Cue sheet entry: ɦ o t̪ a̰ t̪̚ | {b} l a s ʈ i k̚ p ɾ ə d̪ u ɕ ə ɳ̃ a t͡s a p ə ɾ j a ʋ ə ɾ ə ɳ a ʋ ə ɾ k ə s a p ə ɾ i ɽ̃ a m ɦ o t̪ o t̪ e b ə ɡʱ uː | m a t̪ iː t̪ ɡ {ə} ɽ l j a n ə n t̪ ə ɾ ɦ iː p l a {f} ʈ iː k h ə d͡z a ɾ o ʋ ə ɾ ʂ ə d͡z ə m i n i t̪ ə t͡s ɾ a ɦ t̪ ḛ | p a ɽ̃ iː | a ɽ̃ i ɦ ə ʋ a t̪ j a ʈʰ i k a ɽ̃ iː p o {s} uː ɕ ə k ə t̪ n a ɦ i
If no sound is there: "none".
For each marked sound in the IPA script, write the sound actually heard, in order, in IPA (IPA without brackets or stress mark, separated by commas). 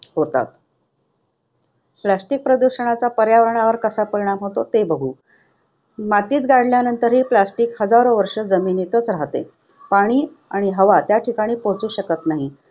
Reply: p, a, s, t͡s